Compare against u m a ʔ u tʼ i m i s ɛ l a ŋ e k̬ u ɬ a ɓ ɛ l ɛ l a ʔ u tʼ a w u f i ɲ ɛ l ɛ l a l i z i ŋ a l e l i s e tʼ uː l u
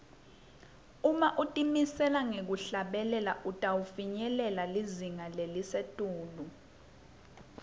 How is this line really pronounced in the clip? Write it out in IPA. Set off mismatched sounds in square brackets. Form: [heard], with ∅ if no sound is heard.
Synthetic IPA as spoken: u m a ʔ u tʼ i m i s ɛ l a ŋ e k̬ u ɬ a ɓ ɛ l ɛ l a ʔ u tʼ a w u f i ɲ ɛ l ɛ l a l i z i ŋ a l e l i s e tʼ uː l u